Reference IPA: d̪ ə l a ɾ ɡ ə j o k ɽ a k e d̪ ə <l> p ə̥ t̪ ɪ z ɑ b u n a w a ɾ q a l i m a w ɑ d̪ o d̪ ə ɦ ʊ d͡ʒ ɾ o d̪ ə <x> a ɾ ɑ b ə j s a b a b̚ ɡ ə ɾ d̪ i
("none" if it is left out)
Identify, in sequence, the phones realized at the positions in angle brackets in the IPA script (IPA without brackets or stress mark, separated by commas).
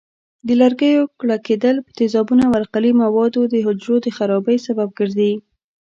l, x